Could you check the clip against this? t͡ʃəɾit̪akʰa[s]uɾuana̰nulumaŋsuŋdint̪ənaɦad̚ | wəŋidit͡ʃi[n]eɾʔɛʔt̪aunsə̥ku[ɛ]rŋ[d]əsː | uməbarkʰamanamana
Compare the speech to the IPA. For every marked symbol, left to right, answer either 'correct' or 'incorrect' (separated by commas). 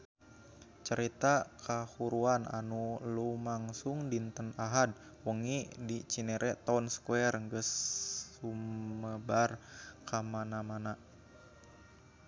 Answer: incorrect, correct, correct, incorrect